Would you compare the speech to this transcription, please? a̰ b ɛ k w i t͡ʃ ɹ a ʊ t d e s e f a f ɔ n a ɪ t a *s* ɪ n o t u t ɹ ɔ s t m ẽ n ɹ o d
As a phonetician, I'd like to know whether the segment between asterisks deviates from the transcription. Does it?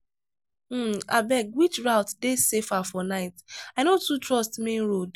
yes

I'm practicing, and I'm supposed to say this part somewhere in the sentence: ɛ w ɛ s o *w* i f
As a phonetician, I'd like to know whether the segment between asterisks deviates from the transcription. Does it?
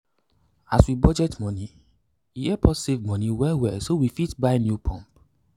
no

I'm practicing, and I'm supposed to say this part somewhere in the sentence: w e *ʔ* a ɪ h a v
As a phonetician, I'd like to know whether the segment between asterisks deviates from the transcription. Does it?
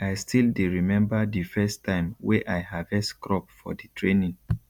no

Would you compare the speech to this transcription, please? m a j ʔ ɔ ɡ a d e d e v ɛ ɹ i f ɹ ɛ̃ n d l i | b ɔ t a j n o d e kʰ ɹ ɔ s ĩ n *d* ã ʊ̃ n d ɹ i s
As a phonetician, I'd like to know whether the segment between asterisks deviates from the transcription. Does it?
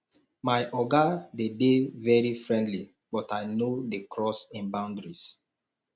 yes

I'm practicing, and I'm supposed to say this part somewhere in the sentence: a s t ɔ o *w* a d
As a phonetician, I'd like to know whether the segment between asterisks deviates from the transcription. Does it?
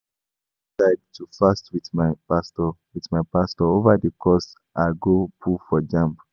yes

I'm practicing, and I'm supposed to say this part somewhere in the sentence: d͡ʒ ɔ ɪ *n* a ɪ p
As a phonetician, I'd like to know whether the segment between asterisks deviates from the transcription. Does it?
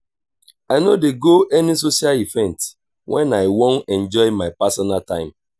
yes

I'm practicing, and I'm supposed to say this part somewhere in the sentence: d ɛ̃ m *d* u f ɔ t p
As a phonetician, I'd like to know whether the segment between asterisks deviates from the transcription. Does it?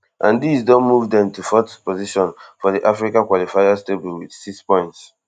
yes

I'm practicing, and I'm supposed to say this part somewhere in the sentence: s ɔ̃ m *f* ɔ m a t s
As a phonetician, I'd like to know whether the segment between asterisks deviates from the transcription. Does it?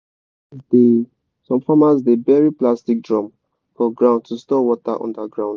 no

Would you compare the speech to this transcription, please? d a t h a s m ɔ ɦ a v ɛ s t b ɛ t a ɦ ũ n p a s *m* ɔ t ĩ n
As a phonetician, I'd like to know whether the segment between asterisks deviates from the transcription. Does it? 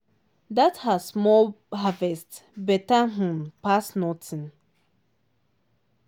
yes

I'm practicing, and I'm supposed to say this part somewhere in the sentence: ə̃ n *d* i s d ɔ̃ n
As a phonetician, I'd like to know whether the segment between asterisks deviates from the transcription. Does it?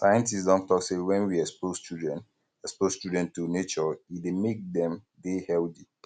yes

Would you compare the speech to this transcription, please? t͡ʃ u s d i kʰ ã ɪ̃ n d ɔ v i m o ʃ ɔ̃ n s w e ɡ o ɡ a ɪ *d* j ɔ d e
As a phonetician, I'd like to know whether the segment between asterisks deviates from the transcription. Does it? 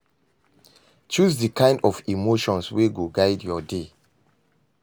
no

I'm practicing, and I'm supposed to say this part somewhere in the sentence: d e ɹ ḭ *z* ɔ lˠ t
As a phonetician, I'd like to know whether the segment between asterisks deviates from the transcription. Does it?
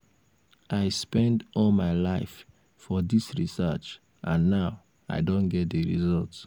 no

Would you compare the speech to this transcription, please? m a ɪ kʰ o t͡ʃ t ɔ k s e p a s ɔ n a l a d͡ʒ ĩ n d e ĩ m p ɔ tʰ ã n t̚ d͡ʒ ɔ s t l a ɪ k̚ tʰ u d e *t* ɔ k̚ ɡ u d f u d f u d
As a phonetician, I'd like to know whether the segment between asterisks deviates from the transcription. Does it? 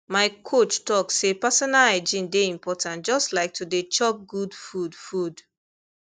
yes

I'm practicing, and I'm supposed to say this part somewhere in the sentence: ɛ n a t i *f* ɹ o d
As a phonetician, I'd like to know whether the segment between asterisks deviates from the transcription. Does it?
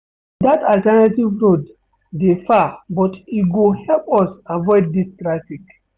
yes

